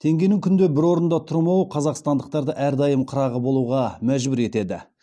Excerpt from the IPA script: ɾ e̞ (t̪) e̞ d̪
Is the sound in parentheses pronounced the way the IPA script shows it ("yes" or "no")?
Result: yes